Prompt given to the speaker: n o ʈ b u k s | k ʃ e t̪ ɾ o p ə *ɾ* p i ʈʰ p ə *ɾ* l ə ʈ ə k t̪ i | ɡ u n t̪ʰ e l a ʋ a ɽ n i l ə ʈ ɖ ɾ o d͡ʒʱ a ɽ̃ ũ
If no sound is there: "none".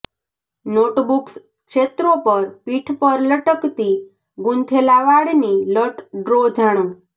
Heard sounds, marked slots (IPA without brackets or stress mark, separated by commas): ɾ, ɾ